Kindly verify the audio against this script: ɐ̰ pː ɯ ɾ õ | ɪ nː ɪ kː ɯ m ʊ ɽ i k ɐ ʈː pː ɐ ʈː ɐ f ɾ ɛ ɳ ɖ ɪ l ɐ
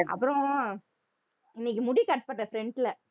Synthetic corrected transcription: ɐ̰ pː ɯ ɾ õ | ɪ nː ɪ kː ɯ m ʊ ɽ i k ɐ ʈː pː ɐ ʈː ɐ f ɾ ɛ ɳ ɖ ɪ l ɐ